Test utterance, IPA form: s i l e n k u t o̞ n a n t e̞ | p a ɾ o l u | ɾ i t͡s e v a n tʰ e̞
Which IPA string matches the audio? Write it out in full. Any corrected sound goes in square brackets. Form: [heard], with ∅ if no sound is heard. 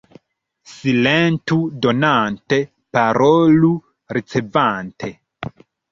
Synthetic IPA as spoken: s i l e n [t] u [d] o̞ n a n t e̞ | p a ɾ o l u | ɾ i t͡s e v a n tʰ e̞